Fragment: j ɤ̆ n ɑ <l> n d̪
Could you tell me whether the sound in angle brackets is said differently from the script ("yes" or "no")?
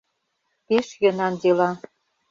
yes